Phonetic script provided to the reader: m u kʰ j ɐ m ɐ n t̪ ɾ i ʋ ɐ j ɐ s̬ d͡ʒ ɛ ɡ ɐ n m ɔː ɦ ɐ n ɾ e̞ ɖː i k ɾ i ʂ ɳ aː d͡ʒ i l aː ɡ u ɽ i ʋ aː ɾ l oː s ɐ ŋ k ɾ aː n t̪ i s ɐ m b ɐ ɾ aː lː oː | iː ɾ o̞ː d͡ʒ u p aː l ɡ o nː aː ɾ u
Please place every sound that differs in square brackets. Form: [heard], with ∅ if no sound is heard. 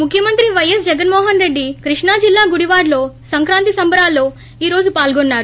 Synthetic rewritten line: m u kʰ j ɐ m ɐ n t̪ ɾ i ʋ ɐ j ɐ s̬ d͡ʒ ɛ ɡ ɐ n m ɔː ɦ ɐ n ɾ e̞ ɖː i k ɾ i ʂ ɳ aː d͡ʒ i [lː] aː ɡ u ɽ i ʋ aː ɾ l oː s ɐ ŋ k ɾ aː n t̪ i s ɐ m b ɐ ɾ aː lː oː | iː ɾ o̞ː d͡ʒ u p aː l ɡ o nː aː ɾ u

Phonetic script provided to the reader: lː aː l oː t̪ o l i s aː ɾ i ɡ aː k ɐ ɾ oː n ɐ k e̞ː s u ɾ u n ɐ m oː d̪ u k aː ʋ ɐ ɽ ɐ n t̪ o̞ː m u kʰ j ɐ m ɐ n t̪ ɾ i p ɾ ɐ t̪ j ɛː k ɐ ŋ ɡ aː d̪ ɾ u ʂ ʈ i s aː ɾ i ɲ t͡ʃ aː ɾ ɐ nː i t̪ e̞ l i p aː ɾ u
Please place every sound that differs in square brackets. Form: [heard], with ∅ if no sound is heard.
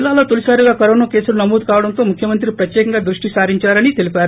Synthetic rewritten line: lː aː l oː t̪ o l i s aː ɾ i ɡ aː k ɐ ɾ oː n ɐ k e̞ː s u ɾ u n ɐ m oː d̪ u k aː ʋ ɐ ɽ ɐ n t̪ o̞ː m u kʰ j ɐ m ɐ n t̪ ɾ i p ɾ ɐ t̪ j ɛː k ɐ ŋ ɡ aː d̪ ɾ u ʂ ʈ i s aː ɾ i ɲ t͡ʃ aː ɾ ɐ [n] i t̪ e̞ l i p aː ɾ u

